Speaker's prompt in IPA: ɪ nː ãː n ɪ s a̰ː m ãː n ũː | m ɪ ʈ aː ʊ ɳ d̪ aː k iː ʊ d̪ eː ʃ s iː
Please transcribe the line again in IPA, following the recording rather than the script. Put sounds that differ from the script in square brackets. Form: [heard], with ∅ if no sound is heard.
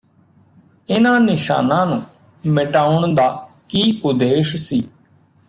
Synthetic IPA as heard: ɪ [n] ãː n ɪ [ʃ] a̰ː [n] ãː n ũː | m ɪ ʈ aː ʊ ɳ d̪ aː k iː ʊ d̪ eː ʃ s iː